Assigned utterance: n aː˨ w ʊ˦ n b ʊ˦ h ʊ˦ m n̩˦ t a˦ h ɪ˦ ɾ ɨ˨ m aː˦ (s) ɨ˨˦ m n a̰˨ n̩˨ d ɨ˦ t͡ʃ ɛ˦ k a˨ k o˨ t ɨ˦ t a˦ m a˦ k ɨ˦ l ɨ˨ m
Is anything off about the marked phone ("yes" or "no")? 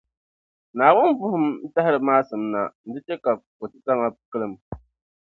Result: no